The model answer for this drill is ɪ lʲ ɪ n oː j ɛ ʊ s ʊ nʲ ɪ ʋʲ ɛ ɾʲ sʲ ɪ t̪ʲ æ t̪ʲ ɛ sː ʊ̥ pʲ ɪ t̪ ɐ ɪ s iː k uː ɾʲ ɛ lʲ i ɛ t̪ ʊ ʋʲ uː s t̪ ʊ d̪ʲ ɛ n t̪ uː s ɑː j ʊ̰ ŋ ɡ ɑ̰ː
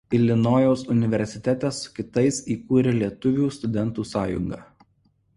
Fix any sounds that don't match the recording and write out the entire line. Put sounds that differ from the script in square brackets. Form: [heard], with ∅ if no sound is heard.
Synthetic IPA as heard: ɪ lʲ ɪ n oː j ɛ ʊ s ʊ nʲ ɪ ʋʲ ɛ ɾʲ sʲ ɪ t̪ʲ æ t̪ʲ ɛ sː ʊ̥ [kʲ] ɪ t̪ ɐ ɪ s iː k uː ɾʲ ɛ lʲ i ɛ t̪ ʊ ʋʲ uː s t̪ ʊ d̪ʲ ɛ n t̪ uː s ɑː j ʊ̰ ŋ ɡ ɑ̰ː